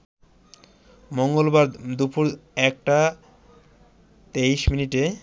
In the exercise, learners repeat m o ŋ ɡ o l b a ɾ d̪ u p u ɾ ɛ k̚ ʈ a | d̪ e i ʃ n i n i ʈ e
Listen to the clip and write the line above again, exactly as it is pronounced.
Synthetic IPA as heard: m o ŋ ɡ o l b a ɾ d̪ u p u ɾ ɛ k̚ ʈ a | t̪ e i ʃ m i n i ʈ e